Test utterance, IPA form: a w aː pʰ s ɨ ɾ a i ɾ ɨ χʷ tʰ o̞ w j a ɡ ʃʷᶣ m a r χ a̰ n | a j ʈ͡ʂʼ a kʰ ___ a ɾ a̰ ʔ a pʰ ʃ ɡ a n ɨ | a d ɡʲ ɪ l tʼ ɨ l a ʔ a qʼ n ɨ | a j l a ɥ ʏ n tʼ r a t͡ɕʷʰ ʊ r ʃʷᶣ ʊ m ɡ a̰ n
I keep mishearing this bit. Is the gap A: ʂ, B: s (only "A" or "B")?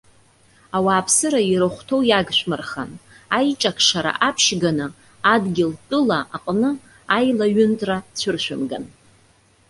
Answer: A